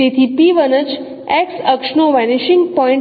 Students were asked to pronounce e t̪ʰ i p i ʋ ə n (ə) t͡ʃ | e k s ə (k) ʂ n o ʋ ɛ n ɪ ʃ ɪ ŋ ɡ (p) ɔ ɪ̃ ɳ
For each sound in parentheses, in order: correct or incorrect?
correct, correct, correct

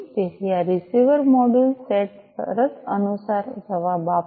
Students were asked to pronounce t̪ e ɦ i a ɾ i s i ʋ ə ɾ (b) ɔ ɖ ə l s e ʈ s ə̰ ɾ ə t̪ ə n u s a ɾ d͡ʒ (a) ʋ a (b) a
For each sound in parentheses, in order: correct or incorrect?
incorrect, incorrect, correct

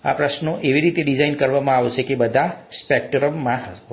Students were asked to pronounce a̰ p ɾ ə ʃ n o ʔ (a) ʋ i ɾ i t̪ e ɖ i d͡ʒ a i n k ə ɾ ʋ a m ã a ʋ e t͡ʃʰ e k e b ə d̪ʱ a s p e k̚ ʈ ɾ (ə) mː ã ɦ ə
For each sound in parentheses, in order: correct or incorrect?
incorrect, correct

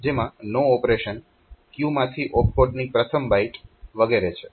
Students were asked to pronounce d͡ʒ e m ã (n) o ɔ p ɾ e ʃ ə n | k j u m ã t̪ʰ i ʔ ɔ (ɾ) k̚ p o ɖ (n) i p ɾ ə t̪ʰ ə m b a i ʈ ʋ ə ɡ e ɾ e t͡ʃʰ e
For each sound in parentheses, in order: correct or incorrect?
correct, incorrect, correct

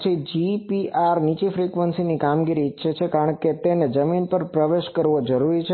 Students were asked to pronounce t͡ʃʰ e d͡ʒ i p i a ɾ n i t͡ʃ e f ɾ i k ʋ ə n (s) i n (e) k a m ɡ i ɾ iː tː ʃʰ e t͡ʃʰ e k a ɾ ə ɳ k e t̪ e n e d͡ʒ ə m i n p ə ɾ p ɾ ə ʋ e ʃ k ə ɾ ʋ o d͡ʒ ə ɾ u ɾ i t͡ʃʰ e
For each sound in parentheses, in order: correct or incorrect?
correct, incorrect

